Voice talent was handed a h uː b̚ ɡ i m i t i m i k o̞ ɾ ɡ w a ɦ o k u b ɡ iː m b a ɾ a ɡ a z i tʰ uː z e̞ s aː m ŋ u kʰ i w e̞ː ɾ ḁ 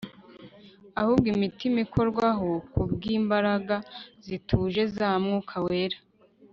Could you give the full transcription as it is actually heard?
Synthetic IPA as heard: a h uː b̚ ɡ i m i t i m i k o̞ ɾ ɡ w a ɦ o k u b ɡ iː m b a ɾ a ɡ a z i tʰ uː ʒ e̞ z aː m ŋ u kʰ a w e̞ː ɾ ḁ